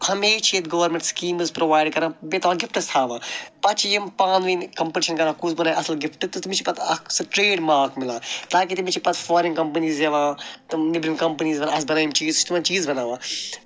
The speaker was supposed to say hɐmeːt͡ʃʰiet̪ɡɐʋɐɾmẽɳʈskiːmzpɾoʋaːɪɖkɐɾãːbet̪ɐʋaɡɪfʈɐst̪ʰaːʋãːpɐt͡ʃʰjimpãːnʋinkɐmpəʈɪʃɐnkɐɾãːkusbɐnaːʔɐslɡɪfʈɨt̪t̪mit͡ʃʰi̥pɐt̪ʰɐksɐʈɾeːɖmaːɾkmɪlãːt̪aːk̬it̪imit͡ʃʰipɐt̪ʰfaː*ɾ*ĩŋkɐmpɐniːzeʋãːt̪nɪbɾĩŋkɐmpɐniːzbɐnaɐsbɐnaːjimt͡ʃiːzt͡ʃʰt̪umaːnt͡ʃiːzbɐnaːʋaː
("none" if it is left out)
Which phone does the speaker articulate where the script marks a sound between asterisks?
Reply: ɾ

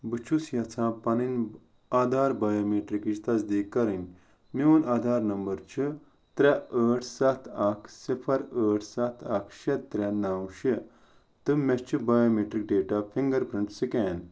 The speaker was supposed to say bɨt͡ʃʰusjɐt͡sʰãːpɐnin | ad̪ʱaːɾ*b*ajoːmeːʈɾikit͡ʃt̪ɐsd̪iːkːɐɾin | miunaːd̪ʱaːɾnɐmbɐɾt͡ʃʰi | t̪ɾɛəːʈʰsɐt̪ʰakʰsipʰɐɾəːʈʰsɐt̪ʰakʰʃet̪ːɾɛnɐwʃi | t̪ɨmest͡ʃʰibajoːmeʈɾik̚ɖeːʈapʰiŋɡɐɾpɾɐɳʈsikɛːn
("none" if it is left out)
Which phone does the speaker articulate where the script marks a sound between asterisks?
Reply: b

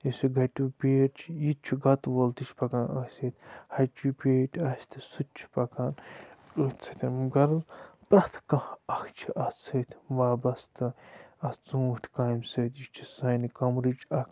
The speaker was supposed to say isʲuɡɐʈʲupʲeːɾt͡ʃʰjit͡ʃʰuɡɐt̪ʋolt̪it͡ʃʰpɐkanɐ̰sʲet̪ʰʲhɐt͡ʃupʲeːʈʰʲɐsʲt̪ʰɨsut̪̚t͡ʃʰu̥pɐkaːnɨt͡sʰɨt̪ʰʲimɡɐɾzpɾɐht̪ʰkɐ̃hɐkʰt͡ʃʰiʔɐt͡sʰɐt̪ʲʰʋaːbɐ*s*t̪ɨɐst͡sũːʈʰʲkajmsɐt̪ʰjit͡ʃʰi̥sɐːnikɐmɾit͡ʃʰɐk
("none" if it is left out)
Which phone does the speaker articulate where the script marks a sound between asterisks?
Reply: s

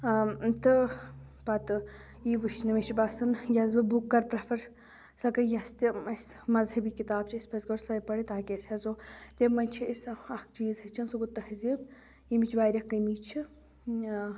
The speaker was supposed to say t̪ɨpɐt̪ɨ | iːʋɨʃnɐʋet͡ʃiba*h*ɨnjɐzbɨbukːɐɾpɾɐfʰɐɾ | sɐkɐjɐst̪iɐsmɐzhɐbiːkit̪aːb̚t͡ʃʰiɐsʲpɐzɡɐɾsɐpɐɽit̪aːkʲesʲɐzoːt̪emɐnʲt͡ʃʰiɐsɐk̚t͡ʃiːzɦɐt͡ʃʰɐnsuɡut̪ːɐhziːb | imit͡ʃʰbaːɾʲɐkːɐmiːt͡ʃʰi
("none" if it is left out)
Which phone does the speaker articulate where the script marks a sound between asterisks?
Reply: s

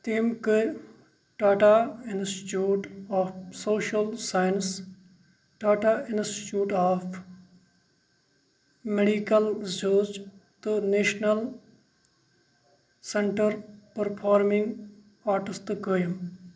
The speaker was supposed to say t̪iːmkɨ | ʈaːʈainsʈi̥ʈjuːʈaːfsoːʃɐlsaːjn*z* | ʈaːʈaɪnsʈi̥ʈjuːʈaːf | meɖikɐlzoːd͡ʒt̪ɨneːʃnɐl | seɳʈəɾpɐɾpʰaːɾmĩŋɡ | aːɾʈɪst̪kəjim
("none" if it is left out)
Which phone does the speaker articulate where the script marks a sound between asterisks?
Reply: s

